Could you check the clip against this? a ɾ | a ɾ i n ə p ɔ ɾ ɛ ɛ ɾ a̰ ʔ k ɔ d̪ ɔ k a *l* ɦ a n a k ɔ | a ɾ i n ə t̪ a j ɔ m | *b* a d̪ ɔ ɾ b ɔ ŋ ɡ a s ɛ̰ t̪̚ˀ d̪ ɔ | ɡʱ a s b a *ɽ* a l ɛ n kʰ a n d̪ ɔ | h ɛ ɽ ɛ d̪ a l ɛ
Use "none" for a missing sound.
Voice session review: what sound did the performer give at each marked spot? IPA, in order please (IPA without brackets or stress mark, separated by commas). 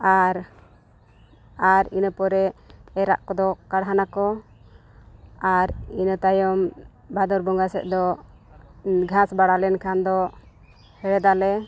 ɽ, b, ɽ